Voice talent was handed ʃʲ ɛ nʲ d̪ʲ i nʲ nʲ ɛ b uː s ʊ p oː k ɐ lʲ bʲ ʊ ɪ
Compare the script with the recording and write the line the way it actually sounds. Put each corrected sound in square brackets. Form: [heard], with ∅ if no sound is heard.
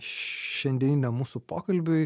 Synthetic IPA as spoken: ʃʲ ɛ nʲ d̪ʲ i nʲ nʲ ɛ [m] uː s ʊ p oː k ɐ lʲ bʲ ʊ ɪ

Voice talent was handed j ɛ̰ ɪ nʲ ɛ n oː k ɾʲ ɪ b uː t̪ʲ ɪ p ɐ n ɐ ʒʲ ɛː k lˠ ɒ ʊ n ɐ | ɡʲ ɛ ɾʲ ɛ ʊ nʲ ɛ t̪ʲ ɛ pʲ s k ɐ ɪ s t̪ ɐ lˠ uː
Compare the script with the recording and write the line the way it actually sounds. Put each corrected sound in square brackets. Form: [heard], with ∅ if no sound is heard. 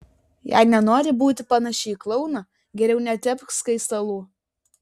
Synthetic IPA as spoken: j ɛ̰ ɪ nʲ ɛ n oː [∅] ɾʲ ɪ b uː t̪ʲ ɪ p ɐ n ɐ [ʃʲ] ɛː k lˠ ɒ ʊ n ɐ | ɡʲ ɛ ɾʲ ɛ ʊ nʲ ɛ t̪ʲ ɛ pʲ s k ɐ ɪ s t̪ ɐ lˠ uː

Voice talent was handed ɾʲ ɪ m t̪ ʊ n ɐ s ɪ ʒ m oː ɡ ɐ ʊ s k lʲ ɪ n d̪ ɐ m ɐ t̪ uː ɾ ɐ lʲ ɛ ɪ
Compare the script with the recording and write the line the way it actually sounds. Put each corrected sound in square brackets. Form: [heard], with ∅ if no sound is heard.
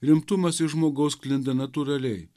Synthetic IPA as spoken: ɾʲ ɪ m t̪ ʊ [m] ɐ s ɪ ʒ m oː ɡ ɐ ʊ s k lʲ ɪ n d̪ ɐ [n] ɐ t̪ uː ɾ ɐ lʲ ɛ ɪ

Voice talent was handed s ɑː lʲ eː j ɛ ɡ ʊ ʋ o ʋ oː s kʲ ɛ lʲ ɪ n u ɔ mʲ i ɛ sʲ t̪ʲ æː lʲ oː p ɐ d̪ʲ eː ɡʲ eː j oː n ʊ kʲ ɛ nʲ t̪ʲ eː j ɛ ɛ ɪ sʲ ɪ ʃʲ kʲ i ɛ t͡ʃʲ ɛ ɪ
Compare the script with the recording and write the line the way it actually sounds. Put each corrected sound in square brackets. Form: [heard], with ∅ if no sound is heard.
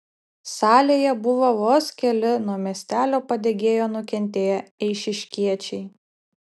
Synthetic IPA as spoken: s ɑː lʲ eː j ɛ [b] ʊ ʋ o ʋ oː s kʲ ɛ lʲ ɪ n u ɔ mʲ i ɛ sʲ t̪ʲ æː lʲ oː p ɐ d̪ʲ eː ɡʲ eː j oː n ʊ kʲ ɛ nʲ t̪ʲ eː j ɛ ɛ ɪ [ʃʲ] ɪ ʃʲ kʲ i ɛ t͡ʃʲ ɛ ɪ

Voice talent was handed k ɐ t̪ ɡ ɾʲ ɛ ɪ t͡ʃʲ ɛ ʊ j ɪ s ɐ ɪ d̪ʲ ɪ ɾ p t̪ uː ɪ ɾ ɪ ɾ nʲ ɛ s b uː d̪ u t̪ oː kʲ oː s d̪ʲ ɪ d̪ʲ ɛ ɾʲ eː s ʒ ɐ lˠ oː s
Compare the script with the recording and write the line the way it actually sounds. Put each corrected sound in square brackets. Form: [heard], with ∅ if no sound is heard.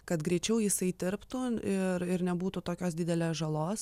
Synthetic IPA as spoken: k ɐ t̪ ɡ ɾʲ ɛ ɪ t͡ʃʲ ɛ ʊ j ɪ s ɐ ɪ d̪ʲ ɪ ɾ p t̪ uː ɪ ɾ ɪ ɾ nʲ ɛ [∅] b uː [t̪] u t̪ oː kʲ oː s d̪ʲ ɪ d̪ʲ ɛ [lʲ] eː s ʒ ɐ lˠ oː s

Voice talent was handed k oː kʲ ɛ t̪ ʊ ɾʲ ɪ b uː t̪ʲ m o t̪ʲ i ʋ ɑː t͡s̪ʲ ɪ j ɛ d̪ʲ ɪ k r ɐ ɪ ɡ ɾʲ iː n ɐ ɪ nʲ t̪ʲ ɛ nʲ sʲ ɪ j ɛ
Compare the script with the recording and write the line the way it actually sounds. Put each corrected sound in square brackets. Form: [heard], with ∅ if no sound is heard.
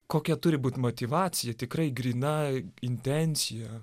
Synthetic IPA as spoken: k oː kʲ ɛ t̪ ʊ ɾʲ ɪ b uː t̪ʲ m o t̪ʲ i ʋ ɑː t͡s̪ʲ ɪ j ɛ [t̪ʲ] ɪ k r ɐ ɪ ɡ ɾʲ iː n ɐ ɪ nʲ t̪ʲ ɛ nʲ sʲ ɪ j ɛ

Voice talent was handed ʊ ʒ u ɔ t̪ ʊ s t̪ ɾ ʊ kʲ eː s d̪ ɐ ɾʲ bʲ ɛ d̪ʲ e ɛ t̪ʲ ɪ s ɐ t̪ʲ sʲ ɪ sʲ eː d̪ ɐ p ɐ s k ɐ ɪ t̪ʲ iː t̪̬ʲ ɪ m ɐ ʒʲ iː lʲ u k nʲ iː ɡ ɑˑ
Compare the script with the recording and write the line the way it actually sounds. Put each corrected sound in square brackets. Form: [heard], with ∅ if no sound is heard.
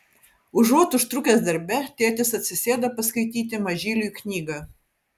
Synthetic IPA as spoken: ʊ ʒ u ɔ t̪ ʊ [ʃ] t̪ ɾ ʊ kʲ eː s d̪ ɐ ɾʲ bʲ ɛ [t̪ʲ] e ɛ t̪ʲ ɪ s ɐ t̪ʲ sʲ ɪ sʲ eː d̪ ɐ p ɐ s k ɐ ɪ t̪ʲ iː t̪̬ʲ ɪ m ɐ ʒʲ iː lʲ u k nʲ iː ɡ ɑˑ

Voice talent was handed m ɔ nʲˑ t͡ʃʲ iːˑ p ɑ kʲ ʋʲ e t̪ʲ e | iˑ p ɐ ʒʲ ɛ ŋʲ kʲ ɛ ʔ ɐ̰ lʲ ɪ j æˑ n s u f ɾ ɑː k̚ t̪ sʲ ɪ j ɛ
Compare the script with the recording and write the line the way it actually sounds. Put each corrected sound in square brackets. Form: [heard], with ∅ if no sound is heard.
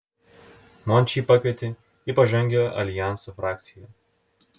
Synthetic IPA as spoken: m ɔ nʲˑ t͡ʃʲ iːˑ p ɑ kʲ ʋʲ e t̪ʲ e | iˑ p ɐ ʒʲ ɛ ŋʲ [ɡʲ] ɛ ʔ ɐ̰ lʲ ɪ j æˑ n s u f ɾ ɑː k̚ t̪ sʲ ɪ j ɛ

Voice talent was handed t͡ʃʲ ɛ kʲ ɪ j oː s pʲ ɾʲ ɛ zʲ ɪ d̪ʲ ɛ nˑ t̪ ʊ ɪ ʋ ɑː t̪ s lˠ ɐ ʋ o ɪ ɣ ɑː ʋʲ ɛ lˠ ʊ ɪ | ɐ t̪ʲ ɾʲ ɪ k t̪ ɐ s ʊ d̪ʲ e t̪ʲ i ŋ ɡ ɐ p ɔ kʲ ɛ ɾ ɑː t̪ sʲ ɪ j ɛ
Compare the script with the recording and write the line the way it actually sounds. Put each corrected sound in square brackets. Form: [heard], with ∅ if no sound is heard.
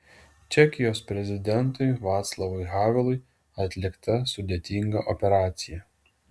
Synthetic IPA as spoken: t͡ʃʲ ɛ kʲ ɪ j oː s pʲ ɾʲ ɛ zʲ ɪ d̪ʲ ɛ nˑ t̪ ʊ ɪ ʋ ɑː t̪ s lˠ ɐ ʋ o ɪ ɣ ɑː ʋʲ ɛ lˠ ʊ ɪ | ɐ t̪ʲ [lʲ] ɪ k t̪ ɐ s ʊ d̪ʲ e t̪ʲ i ŋ ɡ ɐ [ʔ] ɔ [pʲ] ɛ ɾ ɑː t̪ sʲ ɪ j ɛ

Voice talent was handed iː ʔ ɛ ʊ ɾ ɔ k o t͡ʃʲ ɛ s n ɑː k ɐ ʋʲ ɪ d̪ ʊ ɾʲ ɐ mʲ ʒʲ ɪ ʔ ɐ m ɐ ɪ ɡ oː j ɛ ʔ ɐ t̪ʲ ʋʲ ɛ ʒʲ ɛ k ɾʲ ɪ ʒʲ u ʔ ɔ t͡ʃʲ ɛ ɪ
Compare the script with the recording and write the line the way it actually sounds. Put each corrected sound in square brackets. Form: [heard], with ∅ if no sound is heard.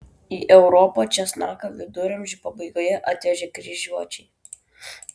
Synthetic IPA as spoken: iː ʔ ɛ ʊ ɾ ɔ [p] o t͡ʃʲ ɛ s n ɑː k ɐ ʋʲ ɪ d̪ ʊ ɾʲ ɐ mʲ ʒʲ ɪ [p] ɐ [b] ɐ ɪ ɡ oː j ɛ ʔ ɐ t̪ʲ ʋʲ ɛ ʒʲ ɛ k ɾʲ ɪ ʒʲ u [∅] ɔ t͡ʃʲ ɛ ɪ

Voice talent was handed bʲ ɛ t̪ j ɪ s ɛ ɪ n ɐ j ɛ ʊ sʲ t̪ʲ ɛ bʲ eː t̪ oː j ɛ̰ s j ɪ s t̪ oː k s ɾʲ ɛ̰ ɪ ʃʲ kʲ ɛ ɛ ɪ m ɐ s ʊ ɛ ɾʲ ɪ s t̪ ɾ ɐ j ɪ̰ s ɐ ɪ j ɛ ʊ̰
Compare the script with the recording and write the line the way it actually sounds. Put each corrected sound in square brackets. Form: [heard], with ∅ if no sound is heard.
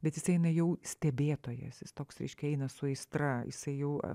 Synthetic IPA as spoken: bʲ ɛ t̪ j ɪ s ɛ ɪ n ɐ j ɛ ʊ sʲ t̪ʲ ɛ bʲ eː t̪ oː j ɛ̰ s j ɪ s t̪ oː k s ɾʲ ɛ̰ ɪ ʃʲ kʲ ɛ ɛ ɪ [n] ɐ s ʊ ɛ [∅] ɪ s t̪ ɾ ɐ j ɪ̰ s ɐ ɪ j ɛ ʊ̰

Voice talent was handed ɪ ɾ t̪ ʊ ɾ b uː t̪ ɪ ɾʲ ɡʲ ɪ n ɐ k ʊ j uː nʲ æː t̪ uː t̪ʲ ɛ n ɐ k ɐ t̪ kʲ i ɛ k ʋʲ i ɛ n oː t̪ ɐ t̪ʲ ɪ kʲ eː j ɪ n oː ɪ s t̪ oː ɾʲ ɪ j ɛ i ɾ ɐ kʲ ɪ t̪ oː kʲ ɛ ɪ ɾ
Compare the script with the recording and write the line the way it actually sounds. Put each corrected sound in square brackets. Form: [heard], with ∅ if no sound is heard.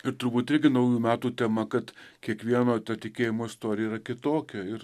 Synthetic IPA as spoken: ɪ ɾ t̪ ʊ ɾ b uː t̪ ɪ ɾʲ ɡʲ ɪ n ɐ [∅] ʊ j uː [mʲ] æː t̪ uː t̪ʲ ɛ [m] ɐ k ɐ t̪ kʲ i ɛ k ʋʲ i ɛ n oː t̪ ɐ t̪ʲ ɪ kʲ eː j ɪ [m] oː ɪ s t̪ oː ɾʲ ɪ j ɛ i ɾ ɐ kʲ ɪ t̪ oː kʲ ɛ ɪ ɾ

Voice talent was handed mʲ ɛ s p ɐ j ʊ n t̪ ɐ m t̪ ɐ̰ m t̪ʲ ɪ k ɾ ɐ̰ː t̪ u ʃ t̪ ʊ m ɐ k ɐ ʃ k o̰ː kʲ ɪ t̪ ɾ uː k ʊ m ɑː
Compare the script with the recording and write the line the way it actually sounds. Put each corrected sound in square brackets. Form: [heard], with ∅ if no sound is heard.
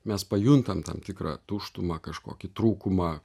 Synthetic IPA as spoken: mʲ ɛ s p ɐ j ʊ n t̪ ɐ m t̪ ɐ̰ m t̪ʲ ɪ k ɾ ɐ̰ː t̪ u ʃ t̪ ʊ m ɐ k ɐ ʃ k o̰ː kʲ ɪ t̪ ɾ uː k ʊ m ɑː

